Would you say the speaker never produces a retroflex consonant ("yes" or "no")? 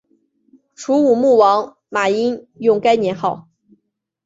no